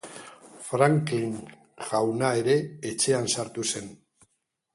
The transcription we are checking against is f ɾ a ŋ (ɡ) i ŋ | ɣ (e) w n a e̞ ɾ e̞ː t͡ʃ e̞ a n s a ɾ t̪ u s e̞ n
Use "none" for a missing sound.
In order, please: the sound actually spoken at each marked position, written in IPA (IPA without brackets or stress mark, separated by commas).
k, a